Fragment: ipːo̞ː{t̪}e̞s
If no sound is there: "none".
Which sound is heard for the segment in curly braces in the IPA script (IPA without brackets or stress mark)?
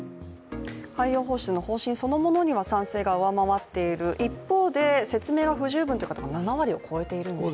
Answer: d̪